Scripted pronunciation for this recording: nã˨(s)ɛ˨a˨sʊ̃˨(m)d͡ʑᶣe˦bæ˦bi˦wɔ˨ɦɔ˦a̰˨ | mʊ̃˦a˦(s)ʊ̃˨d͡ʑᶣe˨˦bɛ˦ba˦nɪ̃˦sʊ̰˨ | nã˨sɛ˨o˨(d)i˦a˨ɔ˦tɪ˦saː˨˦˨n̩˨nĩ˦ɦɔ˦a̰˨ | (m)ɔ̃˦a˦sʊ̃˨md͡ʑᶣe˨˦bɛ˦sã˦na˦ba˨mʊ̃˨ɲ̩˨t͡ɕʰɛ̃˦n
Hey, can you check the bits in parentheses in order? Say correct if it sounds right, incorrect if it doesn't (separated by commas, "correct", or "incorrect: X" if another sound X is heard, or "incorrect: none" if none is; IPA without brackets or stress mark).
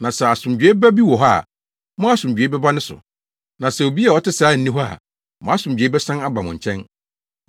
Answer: correct, correct, correct, incorrect: b, correct